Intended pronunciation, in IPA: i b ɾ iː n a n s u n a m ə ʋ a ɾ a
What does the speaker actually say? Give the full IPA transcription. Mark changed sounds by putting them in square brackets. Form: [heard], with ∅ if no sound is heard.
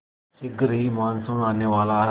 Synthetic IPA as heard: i [ɡ] ɾ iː [m] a n s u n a [n] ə ʋ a [l] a